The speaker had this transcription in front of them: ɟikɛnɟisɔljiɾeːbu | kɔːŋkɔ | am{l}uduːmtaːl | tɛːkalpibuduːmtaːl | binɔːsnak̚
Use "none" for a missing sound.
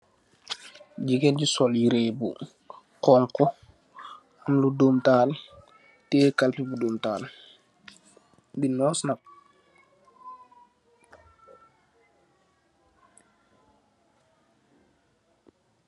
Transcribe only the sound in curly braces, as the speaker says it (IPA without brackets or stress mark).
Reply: l